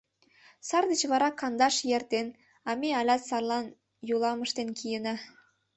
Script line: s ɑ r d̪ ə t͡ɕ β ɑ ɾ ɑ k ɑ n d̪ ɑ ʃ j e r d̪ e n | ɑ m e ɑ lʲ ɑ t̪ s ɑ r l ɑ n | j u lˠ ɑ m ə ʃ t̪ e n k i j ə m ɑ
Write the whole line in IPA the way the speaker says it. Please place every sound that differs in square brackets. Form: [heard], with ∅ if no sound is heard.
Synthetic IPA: s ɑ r d̪ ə t͡ɕ β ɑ ɾ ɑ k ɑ n d̪ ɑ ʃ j e r [t̪] e n | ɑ m e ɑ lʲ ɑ t̪ s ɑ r l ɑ n | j u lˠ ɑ m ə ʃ t̪ e n k i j ə [n] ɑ